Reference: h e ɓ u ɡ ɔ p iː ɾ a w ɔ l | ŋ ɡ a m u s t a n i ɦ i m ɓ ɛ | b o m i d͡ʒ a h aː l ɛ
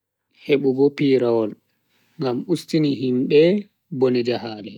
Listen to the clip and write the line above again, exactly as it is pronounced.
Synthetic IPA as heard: h e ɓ u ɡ ɔ p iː ɾ a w ɔ l | ŋ ɡ a m u s t i n i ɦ i m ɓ ɛ | b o n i d͡ʒ a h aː l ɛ